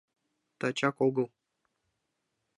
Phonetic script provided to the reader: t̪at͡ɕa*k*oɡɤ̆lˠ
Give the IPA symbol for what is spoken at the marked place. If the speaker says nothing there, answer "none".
k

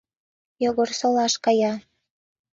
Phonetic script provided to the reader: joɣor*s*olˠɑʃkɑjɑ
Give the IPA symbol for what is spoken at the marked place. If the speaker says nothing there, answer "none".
s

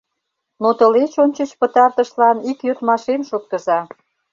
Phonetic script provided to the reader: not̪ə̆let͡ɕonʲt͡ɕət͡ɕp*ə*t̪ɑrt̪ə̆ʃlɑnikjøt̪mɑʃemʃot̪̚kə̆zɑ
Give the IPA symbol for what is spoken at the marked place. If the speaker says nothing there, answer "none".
ə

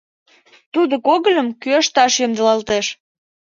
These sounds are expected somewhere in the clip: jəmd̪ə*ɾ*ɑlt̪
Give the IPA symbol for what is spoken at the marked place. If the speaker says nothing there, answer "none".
l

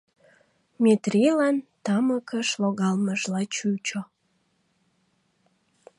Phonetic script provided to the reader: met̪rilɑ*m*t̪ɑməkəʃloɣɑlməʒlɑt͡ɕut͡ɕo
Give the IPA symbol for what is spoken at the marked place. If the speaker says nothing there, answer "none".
n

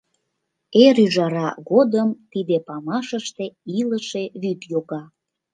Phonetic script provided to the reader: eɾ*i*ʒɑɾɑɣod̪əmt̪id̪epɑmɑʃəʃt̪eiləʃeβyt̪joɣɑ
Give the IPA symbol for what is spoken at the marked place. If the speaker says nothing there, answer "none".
y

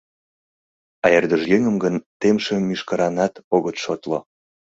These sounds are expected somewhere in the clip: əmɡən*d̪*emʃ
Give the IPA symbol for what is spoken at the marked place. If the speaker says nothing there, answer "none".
t̪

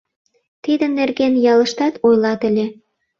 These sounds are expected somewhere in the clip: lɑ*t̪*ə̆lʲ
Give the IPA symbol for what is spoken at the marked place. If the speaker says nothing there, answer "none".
t̪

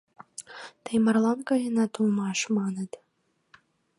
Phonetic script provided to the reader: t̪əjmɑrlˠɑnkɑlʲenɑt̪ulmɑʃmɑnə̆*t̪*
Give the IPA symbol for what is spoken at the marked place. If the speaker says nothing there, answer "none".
t̪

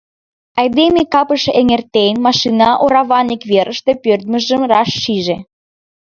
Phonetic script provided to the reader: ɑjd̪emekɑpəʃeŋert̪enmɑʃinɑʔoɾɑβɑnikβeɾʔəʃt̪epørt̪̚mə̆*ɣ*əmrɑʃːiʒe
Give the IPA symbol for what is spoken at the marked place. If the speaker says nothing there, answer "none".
ʒ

